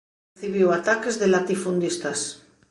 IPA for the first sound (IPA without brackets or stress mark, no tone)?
θ